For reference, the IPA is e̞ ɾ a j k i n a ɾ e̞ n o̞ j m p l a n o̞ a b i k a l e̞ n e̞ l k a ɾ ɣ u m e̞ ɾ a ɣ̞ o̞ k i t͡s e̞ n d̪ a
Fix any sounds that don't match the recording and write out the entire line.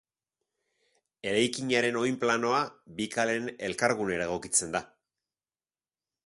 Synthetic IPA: e̞ ɾ a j k i ɲ a ɾ e̞ n o̞ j m p l a n o̞ a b i k a l e̞ n e̞ l k a ɾ ɣ u n e̞ ɾ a ɣ̞ o̞ k i t͡s e̞ n d̪ a